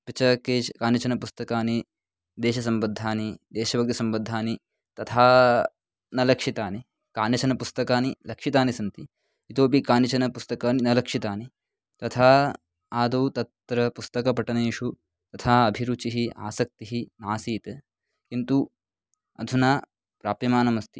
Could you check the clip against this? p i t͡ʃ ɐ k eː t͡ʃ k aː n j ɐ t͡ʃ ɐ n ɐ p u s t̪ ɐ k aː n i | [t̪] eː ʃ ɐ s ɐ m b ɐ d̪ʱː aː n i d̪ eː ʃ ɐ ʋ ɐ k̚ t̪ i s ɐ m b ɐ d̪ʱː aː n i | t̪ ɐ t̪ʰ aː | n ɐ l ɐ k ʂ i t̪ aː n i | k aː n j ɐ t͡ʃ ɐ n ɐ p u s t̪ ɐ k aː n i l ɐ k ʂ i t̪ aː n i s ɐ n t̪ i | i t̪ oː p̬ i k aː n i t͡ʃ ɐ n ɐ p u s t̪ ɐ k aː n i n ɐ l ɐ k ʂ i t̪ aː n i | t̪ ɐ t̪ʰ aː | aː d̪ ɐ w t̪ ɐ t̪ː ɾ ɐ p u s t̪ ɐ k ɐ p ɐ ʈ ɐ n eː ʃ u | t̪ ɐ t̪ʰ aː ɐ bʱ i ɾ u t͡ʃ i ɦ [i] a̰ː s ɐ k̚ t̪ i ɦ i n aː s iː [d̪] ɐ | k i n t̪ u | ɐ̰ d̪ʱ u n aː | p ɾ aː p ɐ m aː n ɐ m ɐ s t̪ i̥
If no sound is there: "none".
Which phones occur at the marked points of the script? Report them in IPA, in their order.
d̪, i, t̪

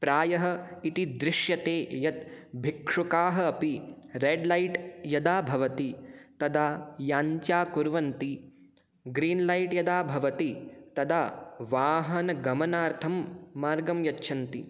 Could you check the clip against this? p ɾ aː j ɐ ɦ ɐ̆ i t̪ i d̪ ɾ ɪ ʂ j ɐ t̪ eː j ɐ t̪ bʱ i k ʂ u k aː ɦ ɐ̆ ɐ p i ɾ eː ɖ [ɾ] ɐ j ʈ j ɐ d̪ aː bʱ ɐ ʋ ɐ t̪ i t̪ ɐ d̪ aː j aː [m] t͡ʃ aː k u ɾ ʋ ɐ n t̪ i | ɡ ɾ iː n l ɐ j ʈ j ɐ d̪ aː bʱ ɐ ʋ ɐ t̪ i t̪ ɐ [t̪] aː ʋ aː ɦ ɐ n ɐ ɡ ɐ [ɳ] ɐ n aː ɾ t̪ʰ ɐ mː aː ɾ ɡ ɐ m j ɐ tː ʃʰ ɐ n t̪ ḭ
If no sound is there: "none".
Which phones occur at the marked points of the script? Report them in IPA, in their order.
l, ɲ, d̪, m

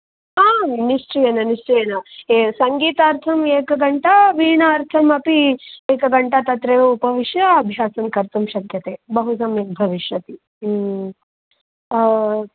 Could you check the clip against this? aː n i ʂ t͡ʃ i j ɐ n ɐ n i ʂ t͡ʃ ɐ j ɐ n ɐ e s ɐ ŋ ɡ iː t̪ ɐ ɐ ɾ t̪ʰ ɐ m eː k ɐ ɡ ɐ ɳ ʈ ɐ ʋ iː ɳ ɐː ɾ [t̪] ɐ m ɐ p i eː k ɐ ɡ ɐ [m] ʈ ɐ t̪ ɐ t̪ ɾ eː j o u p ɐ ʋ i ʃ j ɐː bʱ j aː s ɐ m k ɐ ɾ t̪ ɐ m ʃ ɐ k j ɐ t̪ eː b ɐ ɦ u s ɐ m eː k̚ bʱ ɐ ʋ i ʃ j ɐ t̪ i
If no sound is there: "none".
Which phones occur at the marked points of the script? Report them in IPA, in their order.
t̪ʰ, ɳ

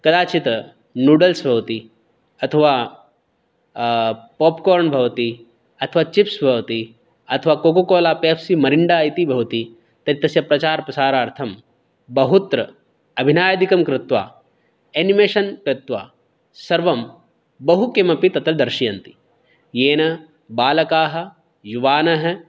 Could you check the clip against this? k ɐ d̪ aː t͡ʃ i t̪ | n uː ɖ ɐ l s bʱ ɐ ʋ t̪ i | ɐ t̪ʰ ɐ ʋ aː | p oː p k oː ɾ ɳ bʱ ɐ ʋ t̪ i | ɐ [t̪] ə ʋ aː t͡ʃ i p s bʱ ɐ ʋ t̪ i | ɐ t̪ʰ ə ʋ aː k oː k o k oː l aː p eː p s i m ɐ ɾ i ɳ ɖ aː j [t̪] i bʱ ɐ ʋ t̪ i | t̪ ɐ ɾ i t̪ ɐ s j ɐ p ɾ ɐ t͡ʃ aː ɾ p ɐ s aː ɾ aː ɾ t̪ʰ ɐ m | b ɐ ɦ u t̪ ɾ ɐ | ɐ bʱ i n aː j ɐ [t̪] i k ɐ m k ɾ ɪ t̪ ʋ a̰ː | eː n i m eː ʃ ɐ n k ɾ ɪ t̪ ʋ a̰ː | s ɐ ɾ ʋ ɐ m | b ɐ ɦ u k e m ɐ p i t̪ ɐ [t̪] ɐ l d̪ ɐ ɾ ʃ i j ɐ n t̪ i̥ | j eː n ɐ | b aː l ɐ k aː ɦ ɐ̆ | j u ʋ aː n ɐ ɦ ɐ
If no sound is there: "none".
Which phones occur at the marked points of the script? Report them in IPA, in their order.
t̪ʰ, t̪, d̪, t̪

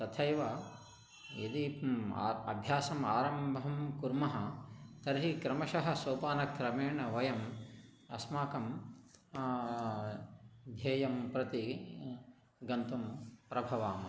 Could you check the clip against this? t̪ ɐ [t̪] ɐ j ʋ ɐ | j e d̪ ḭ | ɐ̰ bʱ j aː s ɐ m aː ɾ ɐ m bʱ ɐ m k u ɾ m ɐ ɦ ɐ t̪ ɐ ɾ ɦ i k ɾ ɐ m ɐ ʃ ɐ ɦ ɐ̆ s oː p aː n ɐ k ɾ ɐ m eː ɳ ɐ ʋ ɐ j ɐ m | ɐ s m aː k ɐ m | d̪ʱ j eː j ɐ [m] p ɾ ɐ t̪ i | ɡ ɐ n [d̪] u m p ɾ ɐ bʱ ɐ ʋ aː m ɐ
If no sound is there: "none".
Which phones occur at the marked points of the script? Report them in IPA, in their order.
t̪ʰ, m, t̪

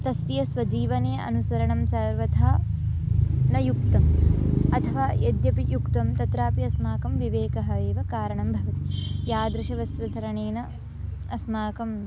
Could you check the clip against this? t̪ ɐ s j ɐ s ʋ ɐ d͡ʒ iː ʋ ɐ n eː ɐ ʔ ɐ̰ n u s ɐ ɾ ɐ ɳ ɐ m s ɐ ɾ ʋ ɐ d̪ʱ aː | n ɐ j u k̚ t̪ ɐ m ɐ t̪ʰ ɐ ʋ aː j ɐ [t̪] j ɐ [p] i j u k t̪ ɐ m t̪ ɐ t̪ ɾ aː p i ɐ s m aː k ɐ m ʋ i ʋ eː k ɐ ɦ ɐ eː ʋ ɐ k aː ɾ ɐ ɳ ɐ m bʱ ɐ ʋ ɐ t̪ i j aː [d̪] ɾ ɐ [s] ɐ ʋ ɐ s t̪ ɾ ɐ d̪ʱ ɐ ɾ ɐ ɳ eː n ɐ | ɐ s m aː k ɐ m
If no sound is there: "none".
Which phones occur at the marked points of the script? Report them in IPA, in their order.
d̪, p, d̪, ʃ

